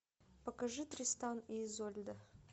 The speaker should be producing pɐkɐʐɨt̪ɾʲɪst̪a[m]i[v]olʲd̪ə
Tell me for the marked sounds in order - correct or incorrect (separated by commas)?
incorrect, incorrect